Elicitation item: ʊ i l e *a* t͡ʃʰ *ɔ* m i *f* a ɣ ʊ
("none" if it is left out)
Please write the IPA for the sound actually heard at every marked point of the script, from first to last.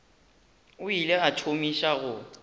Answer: a, o, ʃ

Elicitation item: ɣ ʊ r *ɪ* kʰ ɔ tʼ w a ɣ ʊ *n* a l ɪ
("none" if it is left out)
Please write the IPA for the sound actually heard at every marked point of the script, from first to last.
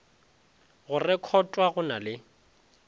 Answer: ɪ, n

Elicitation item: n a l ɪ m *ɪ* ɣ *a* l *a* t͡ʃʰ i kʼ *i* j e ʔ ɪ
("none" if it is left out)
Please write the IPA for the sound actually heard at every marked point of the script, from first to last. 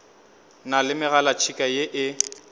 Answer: ɪ, a, a, a

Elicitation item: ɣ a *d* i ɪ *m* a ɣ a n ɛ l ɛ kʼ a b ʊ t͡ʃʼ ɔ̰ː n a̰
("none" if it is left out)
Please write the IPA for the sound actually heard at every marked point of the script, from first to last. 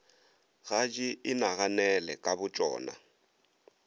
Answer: d͡ʒ, n

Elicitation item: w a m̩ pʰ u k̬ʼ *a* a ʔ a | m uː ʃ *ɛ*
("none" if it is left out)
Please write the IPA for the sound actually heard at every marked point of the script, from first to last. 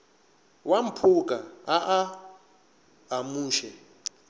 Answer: a, ɛ

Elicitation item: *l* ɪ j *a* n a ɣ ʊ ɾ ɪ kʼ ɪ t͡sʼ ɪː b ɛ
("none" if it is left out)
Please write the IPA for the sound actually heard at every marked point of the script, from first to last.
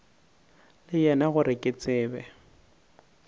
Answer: l, ɛ

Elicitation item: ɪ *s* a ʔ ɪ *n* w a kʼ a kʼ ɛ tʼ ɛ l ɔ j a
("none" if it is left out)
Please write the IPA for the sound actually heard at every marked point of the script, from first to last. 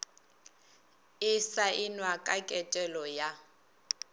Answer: s, n

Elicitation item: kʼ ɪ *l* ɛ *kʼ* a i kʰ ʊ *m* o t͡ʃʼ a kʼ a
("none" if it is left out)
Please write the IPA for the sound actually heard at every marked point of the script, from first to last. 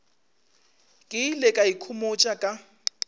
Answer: l, kʼ, m

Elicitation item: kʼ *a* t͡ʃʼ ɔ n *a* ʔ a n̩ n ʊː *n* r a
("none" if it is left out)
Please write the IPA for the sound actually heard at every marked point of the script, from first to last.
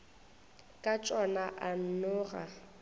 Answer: a, a, none

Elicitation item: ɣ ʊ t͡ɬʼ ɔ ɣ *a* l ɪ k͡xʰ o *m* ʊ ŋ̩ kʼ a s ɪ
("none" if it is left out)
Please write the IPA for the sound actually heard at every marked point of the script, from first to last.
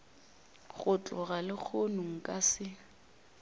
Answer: a, n

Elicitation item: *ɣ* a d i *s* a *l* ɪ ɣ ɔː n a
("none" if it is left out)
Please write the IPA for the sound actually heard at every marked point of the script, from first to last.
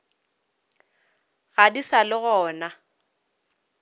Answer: ɣ, s, l

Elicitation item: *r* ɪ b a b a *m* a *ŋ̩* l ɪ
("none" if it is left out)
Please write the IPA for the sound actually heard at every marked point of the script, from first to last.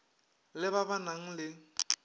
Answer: l, n, ŋ̩

